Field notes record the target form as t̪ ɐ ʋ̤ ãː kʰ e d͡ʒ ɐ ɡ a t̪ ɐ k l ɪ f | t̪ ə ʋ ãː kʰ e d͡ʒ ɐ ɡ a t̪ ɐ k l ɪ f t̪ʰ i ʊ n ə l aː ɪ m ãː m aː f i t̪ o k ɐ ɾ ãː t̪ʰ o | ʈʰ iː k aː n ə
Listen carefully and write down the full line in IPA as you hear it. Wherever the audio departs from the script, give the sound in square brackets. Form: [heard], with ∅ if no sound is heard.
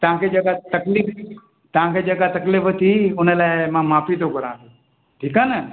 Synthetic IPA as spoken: t̪ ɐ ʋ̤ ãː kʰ e d͡ʒ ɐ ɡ a t̪ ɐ k l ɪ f | t̪ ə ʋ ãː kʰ e d͡ʒ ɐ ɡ a t̪ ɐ k l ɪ f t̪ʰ i ʊ n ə l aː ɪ m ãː m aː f i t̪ o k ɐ ɾ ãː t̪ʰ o | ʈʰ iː k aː n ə